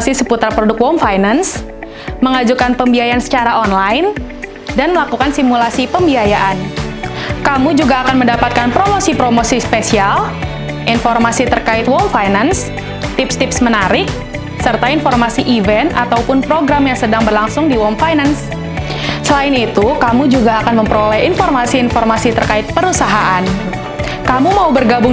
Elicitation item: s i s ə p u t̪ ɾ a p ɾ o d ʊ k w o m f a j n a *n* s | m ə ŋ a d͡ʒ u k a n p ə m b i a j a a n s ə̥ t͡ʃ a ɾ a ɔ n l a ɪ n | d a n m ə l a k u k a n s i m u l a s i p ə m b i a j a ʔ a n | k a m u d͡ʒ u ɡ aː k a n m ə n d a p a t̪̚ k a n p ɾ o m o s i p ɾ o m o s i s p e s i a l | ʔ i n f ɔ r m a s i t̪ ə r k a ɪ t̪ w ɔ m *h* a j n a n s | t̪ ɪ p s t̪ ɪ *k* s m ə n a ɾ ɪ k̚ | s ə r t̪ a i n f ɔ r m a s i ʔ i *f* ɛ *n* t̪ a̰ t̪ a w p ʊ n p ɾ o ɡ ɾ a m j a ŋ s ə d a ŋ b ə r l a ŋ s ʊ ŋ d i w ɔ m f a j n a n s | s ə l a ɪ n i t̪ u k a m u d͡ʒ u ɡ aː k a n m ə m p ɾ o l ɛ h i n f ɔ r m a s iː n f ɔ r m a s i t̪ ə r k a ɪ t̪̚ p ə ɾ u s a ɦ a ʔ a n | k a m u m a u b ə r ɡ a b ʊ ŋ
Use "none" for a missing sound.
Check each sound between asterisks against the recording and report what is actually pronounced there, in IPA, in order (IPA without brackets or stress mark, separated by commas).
n, f, p, v, n